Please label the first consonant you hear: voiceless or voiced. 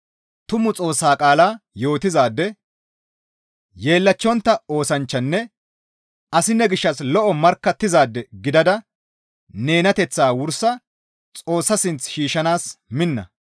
voiceless